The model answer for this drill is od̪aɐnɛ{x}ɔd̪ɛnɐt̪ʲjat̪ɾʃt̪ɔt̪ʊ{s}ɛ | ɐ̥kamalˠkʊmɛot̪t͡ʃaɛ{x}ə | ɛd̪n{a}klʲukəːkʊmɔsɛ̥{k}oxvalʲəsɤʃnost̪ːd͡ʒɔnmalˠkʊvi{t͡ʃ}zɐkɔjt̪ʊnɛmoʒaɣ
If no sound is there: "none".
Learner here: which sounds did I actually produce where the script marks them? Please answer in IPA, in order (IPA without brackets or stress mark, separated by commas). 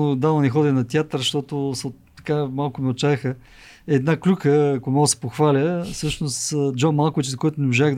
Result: x, s, x, a, p, t͡ʃ